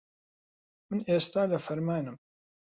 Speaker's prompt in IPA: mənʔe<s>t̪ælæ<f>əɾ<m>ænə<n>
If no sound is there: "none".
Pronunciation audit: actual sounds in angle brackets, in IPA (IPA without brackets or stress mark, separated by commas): s, f, m, m